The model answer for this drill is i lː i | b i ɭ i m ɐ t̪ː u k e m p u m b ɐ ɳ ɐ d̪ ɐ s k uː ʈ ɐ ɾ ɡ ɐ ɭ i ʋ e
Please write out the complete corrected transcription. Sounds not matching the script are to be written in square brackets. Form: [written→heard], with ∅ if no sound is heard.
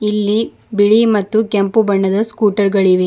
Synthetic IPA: i lː i | b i ɭ i m ɐ t̪ː u k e m p u [m→∅] b ɐ [ɳ→ɳː] ɐ d̪ ɐ s k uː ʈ ɐ ɾ ɡ ɐ ɭ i ʋ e